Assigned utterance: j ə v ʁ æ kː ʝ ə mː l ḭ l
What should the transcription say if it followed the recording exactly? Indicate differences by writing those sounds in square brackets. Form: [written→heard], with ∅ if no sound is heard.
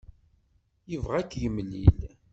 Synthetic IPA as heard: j ə v ʁ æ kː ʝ ə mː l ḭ l